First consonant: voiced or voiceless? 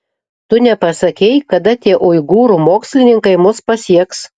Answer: voiceless